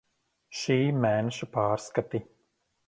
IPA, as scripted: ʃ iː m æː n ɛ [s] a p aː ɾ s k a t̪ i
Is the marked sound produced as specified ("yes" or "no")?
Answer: no